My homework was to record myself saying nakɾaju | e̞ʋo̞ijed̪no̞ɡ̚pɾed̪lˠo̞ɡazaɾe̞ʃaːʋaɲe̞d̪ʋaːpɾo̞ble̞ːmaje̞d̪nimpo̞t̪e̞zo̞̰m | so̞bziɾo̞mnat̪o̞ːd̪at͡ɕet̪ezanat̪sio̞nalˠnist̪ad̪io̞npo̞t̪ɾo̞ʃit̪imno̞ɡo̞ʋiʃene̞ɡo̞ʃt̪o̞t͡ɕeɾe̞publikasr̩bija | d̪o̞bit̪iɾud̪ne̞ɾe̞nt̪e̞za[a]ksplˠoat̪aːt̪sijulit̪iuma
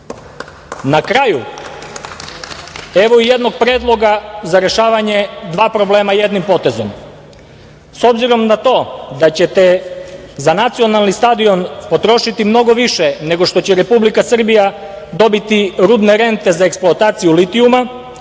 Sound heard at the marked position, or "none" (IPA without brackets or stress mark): e